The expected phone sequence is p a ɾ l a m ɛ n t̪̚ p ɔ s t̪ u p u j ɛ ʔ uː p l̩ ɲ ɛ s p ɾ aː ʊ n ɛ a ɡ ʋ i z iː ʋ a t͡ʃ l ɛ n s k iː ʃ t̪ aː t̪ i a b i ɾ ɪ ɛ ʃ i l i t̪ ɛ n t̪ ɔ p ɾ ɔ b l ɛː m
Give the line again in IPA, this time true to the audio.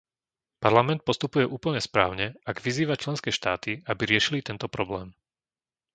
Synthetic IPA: p a ɾ l a m ɛ n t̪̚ p ɔ s t̪ u p u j ɛ ʔ uː p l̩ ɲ ɛ s p ɾ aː ʊ ɲ ɛ a ɡ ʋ i z iː ʋ a t͡ʃ l ɛ n s k ɛː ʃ t̪ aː t̪ i a b i ɾ ɪ ɛ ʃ i l i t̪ ɛ n t̪ ɔ p ɾ ɔ b l ɛː m